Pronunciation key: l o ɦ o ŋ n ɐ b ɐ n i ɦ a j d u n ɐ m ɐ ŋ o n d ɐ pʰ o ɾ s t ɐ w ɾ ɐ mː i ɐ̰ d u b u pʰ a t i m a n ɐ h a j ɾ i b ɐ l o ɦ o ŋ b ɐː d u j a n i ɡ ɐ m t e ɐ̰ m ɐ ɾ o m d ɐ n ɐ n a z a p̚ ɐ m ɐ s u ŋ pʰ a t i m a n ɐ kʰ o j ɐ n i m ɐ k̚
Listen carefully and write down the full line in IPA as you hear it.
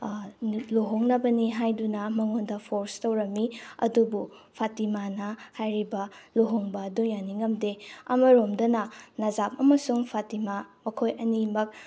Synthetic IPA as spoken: l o ɦ o ŋ n ɐ b ɐ n i ɦ a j d u n ɐ m ɐ ŋ o n d ɐ pʰ o ɾ s t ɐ w ɾ ɐ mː i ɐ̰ d u b u pʰ a t i m a n ɐ h a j ɾ i b ɐ l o ɦ o ŋ b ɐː d u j a n i ŋ ɐ m d e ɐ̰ m ɐ ɾ o m d ɐ n ɐ n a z a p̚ ɐ m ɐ s u ŋ pʰ a t i m a m ɐ kʰ o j ɐ n i m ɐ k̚